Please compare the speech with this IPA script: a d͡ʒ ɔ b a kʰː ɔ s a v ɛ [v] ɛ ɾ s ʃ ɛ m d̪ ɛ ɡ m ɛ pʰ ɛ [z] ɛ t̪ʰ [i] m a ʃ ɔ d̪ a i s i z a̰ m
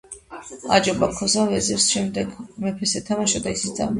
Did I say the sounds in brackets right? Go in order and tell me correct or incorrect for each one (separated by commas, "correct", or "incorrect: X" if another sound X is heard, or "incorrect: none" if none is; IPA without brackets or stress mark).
incorrect: z, incorrect: s, incorrect: a